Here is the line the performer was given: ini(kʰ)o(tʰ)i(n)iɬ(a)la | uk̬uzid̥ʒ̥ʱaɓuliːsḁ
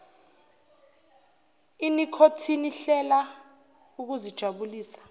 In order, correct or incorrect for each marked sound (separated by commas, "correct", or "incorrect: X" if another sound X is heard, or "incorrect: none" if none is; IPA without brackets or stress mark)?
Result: correct, correct, correct, incorrect: ɛ